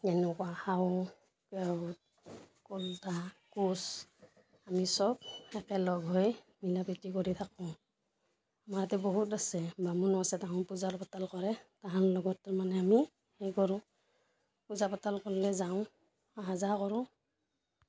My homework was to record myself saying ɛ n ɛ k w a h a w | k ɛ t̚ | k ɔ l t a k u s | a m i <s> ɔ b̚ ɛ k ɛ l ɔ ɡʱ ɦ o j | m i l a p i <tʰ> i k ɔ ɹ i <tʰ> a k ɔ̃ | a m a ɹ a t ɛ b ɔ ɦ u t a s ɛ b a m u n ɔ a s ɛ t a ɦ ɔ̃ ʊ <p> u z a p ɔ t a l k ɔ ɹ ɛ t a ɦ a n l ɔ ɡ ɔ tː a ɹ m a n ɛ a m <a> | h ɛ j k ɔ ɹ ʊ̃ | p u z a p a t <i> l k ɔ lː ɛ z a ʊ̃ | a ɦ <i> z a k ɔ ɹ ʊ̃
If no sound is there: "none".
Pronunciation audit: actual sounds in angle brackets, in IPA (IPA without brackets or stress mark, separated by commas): s, t, tʰ, p, i, a, a